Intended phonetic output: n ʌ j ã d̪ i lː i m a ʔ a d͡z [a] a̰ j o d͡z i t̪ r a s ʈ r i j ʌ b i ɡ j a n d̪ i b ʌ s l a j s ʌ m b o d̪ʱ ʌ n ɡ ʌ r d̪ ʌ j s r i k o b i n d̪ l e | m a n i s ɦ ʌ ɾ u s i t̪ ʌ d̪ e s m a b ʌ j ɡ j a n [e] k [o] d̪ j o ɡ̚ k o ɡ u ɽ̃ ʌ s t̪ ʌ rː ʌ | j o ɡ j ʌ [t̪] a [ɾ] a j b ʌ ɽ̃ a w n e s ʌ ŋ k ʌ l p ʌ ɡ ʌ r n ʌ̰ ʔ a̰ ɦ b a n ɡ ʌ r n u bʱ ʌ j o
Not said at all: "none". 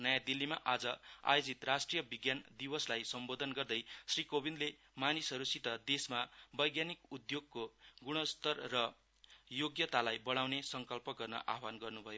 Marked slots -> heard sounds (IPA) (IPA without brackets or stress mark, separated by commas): ʌ, i, u, t̪, l